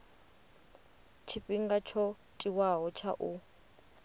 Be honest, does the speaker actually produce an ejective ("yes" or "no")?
yes